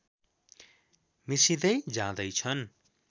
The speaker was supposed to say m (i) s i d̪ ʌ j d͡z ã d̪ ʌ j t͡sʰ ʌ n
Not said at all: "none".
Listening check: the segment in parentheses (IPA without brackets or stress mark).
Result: i